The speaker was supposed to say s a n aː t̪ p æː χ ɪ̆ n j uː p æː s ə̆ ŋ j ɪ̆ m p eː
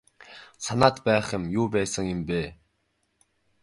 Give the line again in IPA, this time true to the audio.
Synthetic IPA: s a n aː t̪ p æː χ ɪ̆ m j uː p æː s ə̆ ŋ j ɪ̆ m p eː